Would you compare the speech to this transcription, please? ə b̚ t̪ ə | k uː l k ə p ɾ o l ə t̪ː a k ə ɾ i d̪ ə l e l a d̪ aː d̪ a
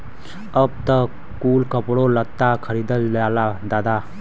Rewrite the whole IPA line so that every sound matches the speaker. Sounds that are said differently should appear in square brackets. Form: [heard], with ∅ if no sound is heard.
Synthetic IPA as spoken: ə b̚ t̪ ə | k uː l k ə p [ɽ] o l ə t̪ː a [kʰ] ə ɾ i d̪ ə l [a] l a d̪ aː d̪ a